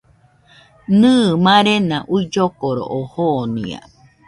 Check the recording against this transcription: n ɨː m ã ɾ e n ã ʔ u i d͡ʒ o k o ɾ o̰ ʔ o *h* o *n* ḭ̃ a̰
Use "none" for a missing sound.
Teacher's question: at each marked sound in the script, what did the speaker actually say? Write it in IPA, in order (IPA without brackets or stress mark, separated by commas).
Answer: h, n